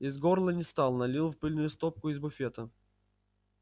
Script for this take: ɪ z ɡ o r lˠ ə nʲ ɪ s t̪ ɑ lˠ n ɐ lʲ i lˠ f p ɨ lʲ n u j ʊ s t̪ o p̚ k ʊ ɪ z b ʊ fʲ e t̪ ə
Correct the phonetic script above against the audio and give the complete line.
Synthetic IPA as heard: ɪ z ɡ o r lˠ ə nʲ ɪ s t̪ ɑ lˠ n ɐ lʲ i lˠ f p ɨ lʲ n ʊ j ʊ s t̪ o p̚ k ʊ ɪ z b ʊ fʲ e t̪ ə